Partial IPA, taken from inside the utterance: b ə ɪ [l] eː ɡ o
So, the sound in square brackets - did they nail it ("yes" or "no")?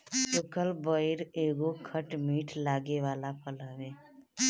no